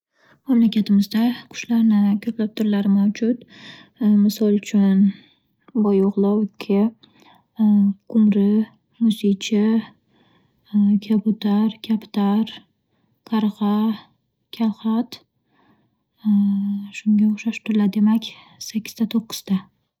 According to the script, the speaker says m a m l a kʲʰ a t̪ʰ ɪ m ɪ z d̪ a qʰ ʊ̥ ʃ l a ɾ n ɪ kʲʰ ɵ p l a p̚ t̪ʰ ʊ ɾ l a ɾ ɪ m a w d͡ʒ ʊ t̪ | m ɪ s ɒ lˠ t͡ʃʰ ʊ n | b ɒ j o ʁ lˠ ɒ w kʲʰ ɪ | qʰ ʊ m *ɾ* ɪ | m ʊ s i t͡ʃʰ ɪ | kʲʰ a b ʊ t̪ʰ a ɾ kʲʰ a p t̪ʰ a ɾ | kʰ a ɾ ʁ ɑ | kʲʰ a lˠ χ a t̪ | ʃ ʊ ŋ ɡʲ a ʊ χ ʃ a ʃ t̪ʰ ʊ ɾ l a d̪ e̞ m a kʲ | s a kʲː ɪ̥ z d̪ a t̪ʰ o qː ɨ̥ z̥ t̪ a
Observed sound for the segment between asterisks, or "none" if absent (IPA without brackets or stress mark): ɾ